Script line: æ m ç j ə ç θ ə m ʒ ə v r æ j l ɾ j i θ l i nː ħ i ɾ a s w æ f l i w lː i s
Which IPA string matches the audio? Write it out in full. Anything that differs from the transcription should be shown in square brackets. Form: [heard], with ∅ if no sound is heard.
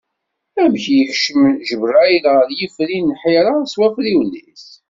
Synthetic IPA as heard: æ m ç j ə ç [ʃ] ə m ʒ ə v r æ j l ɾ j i [f] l i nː ħ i ɾ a s w æ f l i w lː i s